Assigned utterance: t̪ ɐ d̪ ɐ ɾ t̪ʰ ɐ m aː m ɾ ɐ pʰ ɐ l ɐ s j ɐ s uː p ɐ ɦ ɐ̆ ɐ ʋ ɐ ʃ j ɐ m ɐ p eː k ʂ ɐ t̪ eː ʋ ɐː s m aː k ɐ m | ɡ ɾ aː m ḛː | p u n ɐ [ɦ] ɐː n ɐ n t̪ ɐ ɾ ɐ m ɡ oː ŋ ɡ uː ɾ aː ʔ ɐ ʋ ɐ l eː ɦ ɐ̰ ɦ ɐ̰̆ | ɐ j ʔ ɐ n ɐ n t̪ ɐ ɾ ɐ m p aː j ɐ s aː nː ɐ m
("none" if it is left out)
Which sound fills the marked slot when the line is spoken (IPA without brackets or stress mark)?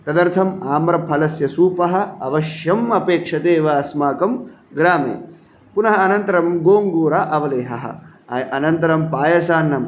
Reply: ɦ